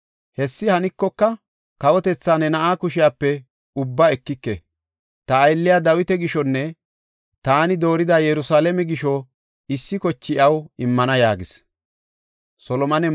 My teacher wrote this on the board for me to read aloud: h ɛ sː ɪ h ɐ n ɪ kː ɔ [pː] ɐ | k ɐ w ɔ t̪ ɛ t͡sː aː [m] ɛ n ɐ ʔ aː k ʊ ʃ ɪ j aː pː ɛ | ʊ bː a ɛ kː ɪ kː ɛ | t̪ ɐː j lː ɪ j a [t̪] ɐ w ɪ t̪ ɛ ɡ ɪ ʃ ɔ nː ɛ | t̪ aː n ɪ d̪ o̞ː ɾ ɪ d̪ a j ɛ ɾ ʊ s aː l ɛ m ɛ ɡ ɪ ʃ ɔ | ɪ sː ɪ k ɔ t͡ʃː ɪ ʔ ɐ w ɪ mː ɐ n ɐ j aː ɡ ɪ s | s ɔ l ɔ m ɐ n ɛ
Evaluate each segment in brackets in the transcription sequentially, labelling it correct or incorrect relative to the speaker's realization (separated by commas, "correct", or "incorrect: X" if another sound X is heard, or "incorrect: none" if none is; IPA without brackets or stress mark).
incorrect: kː, incorrect: n, incorrect: d̪